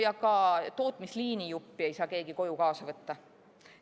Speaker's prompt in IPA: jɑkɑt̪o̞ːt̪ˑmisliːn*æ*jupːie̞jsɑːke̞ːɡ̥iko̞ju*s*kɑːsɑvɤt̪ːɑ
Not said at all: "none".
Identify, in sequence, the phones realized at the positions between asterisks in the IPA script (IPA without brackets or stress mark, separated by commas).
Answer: i, none